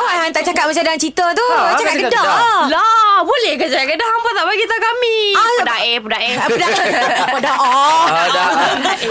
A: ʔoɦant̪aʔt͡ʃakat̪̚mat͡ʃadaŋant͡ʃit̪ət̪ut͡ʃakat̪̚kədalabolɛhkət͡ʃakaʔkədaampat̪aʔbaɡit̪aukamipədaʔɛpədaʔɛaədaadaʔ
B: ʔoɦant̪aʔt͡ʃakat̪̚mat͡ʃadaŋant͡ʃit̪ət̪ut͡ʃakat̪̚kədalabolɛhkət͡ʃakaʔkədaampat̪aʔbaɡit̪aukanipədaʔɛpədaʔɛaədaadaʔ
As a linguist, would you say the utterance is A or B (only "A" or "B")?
A